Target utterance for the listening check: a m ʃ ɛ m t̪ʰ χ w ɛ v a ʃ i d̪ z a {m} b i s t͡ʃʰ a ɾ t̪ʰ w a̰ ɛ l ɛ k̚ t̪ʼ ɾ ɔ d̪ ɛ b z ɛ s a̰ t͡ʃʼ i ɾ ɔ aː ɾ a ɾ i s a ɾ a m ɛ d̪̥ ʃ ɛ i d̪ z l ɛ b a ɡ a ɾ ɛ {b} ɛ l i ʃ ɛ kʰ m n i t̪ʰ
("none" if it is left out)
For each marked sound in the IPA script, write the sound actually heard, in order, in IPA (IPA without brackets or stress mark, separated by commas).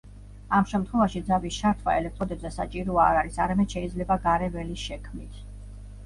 none, v